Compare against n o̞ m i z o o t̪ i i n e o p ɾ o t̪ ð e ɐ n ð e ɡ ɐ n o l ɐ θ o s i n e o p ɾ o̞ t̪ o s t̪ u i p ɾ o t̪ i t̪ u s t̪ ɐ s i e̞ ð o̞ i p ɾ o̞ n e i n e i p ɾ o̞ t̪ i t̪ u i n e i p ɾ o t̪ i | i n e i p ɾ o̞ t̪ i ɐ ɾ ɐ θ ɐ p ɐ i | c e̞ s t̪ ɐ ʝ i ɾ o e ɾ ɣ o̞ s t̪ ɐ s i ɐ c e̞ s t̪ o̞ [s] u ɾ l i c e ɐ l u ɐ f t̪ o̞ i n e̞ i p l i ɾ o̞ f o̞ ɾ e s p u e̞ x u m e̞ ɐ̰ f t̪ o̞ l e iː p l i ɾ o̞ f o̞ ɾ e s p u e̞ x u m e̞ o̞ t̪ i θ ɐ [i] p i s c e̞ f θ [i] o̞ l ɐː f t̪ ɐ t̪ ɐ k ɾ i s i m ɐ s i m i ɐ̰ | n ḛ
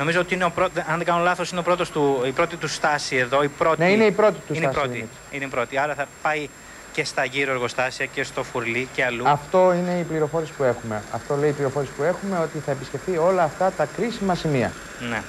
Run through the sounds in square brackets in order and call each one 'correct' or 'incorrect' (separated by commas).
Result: incorrect, incorrect, correct